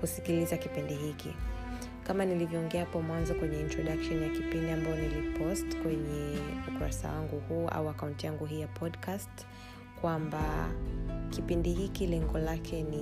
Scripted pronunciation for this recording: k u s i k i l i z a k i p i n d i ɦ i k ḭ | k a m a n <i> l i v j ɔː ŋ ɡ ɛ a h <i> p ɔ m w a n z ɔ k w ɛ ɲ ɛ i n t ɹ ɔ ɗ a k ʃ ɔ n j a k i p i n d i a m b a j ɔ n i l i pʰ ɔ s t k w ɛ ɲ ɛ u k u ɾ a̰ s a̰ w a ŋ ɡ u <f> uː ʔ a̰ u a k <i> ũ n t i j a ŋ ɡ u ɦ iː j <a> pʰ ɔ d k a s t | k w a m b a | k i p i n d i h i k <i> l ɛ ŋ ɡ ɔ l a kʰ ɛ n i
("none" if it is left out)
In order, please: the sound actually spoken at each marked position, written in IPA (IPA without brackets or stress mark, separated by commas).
i, a, h, a, a, i